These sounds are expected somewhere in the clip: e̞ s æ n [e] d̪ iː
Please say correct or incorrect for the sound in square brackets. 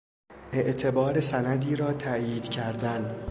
incorrect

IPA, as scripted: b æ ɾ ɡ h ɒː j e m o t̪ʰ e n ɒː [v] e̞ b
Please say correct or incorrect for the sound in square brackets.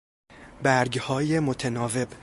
correct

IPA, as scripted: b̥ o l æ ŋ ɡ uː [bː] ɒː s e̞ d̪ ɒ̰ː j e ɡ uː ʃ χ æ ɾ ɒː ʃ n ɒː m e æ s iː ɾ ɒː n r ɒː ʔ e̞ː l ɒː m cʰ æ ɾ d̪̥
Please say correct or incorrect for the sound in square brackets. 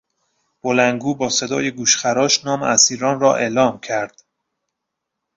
incorrect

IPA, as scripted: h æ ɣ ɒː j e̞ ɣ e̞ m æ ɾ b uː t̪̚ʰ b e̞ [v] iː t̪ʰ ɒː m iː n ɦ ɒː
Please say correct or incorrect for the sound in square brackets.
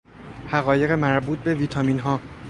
correct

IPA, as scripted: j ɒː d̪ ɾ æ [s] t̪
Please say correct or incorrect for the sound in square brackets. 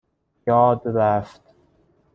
incorrect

